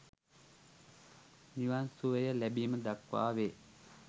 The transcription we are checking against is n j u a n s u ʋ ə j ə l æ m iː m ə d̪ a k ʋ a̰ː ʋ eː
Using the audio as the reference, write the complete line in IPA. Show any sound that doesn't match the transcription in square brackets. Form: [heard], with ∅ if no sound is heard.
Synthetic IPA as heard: n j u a n s u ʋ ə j ə l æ [b] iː m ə d̪ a k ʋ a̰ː ʋ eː